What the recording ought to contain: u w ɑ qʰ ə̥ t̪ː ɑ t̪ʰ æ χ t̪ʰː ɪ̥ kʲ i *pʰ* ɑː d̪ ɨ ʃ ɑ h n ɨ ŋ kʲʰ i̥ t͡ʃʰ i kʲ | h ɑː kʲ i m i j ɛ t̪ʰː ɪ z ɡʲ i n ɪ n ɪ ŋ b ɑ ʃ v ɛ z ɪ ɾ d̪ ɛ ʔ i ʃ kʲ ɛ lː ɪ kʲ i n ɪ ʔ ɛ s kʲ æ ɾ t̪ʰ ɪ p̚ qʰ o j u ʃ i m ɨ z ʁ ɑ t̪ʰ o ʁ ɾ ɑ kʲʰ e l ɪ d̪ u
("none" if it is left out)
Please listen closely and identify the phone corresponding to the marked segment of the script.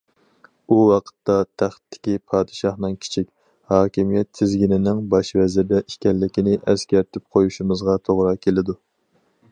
pʰ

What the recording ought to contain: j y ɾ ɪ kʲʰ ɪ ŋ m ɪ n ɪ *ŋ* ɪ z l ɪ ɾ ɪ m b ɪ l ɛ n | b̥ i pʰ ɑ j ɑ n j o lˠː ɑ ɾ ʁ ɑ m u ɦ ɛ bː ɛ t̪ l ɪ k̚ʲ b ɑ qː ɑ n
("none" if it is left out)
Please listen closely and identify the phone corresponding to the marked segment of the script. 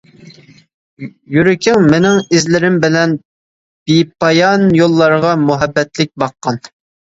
ŋ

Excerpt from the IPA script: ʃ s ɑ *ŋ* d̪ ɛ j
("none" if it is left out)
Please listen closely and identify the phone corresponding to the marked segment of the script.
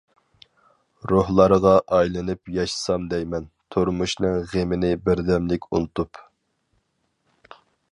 m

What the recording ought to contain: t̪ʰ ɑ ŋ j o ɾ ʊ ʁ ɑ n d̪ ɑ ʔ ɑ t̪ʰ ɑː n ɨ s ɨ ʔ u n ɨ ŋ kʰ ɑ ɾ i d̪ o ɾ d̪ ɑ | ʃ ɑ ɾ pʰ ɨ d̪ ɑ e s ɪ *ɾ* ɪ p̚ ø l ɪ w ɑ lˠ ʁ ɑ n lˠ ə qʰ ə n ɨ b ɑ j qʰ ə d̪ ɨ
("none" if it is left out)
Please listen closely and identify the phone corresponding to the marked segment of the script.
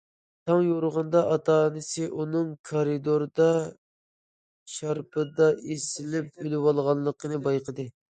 l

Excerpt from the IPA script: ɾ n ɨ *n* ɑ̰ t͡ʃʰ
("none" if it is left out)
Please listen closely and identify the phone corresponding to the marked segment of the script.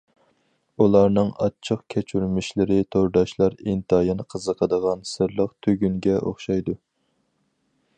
ŋ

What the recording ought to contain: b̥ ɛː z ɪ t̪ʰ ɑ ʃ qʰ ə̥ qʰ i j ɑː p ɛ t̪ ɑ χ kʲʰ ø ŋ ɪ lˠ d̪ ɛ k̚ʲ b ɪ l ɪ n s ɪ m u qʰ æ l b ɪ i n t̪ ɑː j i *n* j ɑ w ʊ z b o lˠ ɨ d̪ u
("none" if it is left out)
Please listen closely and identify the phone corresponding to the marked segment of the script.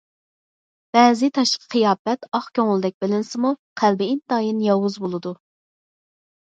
n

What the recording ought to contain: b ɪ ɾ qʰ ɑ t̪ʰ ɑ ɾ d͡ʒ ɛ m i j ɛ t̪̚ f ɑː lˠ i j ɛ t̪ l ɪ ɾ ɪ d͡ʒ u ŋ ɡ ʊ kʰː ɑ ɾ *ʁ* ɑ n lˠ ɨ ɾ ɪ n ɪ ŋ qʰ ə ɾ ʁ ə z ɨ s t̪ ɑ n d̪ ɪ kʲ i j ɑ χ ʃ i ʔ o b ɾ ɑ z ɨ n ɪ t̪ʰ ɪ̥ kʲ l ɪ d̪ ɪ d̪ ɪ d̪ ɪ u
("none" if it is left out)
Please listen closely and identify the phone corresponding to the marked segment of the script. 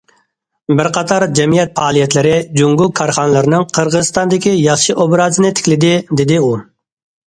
χ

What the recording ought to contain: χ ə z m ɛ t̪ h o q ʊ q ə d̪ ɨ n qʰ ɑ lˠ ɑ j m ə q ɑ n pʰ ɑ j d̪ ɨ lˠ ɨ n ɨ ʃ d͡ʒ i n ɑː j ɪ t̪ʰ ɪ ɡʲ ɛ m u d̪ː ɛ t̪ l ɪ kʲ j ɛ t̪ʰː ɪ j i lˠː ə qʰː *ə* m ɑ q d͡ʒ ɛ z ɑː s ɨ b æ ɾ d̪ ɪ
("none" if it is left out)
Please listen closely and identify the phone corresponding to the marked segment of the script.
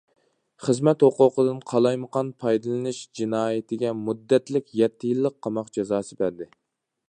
ɑ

